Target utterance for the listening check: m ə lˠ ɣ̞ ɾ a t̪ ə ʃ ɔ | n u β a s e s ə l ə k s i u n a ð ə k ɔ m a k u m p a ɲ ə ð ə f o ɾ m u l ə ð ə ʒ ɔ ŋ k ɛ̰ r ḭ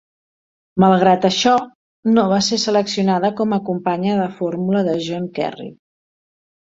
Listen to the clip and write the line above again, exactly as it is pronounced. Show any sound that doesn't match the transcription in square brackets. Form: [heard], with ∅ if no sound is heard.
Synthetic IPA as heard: m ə lˠ ɣ̞ ɾ a t̪ ə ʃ ɔ | n [o] β a s e s ə l ə k s i u n a ð ə k ɔ m [ə] k u m p a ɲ ə ð ə f o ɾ m u l ə ð ə ʒ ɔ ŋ k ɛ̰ r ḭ